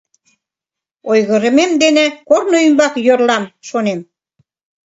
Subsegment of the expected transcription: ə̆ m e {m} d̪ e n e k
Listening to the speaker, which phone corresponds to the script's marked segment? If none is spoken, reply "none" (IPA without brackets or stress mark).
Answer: m